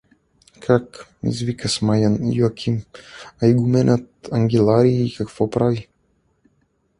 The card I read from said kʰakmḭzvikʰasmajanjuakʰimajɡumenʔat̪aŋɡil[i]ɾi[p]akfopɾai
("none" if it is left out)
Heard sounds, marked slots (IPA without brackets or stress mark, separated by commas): a, k